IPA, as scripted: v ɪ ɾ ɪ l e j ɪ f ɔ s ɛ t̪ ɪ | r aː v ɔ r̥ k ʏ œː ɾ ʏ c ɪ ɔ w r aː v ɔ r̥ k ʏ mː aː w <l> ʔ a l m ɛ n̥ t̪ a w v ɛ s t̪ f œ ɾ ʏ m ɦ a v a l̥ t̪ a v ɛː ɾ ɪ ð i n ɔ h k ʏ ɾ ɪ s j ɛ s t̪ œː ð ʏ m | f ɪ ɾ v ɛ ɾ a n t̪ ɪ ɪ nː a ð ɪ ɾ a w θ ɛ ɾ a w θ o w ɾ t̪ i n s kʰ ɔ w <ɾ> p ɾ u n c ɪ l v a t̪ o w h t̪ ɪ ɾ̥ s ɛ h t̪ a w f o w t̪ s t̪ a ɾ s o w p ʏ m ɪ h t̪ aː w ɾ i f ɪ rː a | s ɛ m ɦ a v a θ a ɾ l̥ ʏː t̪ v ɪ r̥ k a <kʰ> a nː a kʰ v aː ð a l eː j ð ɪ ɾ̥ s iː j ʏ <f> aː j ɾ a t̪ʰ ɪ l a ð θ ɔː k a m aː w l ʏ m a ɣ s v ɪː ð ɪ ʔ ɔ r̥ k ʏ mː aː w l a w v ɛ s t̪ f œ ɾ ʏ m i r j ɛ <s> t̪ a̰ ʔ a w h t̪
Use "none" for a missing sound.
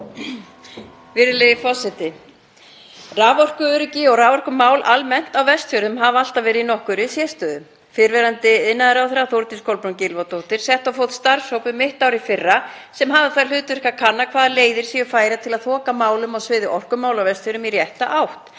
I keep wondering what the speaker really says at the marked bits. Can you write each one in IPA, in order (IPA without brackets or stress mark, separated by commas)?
l, l, kʰ, f, h